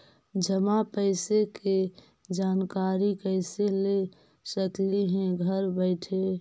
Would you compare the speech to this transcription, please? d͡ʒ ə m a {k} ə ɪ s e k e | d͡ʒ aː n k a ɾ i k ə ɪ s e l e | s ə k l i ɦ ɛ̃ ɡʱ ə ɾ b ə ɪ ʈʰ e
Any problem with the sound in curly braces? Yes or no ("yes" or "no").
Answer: yes